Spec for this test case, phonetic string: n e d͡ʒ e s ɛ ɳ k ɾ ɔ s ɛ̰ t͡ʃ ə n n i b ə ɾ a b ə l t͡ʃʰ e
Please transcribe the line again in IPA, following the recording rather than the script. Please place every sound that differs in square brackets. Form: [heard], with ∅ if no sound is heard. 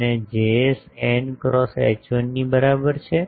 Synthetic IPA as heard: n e d͡ʒ e s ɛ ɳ k ɾ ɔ s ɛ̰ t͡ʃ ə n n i b ə ɾ a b ə [ɾ] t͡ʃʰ e